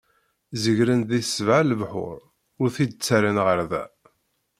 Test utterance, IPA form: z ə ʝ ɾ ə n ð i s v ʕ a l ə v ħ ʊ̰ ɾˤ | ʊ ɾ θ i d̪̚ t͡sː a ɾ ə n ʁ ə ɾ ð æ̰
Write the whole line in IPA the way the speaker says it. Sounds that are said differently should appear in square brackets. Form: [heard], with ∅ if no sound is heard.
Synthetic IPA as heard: z ə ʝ ɾ ə n ð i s v ʕ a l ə v ħ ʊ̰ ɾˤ | ʊ ɾ θ i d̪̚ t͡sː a ɾ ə n ʁ ə ɾ ð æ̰